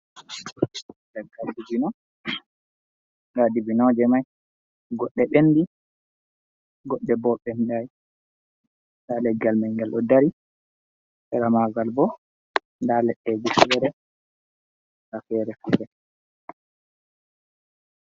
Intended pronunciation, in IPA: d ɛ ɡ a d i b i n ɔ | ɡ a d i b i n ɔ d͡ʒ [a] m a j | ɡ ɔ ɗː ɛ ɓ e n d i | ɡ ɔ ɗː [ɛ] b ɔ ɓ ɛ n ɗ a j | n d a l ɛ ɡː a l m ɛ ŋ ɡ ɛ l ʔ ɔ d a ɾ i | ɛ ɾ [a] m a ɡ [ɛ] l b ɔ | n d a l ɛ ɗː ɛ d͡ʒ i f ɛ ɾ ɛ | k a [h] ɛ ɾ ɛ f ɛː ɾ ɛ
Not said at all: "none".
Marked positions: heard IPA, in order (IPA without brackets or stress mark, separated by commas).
ɛ, ɛ, a, a, f